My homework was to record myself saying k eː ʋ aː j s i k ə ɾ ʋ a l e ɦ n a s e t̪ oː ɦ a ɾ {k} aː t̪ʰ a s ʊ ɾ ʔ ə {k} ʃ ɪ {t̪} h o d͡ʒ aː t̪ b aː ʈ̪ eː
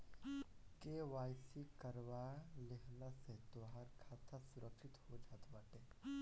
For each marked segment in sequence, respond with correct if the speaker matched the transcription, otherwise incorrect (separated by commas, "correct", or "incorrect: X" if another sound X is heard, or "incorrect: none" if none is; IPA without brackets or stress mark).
incorrect: kʰ, correct, correct